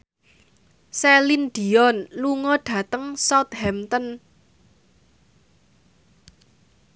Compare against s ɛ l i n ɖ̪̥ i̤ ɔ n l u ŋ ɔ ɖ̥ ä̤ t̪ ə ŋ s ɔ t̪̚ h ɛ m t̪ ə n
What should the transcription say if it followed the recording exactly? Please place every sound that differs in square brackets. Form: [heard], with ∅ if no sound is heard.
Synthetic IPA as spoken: s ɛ l i n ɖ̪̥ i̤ ɔ n l u ŋ ɔ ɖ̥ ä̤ t̪ ə ŋ s ɔ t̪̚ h ɛ m t̪ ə n